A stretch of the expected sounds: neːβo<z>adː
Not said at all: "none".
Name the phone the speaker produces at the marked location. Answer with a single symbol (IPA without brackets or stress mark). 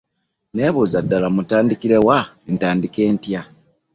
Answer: z